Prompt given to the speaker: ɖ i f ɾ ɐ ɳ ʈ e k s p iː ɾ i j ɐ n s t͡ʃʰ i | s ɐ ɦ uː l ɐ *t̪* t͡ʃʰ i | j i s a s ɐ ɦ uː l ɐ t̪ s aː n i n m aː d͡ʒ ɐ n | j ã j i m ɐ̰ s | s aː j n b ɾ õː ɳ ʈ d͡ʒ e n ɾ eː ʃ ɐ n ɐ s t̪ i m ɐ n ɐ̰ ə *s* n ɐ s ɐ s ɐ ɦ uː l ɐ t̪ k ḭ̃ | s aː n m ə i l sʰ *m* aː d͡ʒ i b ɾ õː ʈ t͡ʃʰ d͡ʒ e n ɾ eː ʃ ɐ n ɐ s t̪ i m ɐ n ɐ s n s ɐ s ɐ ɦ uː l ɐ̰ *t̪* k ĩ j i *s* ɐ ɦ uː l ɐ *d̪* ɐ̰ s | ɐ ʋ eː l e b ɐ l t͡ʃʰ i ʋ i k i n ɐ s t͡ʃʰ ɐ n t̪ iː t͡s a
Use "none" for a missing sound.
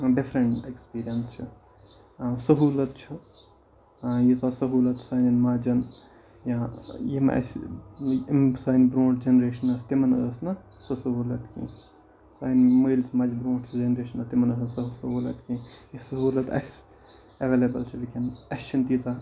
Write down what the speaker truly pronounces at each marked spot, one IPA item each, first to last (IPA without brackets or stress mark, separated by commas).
t̪, s, m, t̪, s, t̪